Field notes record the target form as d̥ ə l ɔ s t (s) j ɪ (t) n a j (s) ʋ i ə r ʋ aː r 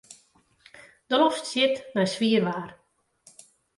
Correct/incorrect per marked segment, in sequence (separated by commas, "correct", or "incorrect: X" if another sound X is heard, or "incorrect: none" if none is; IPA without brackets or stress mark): correct, correct, correct